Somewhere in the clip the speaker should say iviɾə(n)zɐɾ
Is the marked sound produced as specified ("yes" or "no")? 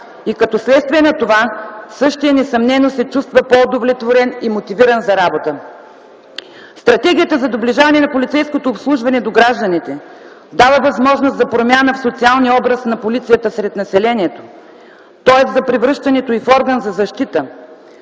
yes